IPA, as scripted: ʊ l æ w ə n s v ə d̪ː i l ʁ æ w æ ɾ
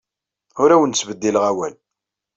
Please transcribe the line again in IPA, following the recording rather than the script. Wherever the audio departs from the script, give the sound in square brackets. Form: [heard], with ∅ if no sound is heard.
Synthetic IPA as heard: ʊ [ɾ] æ w ə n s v ə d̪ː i l ʁ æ w æ [l]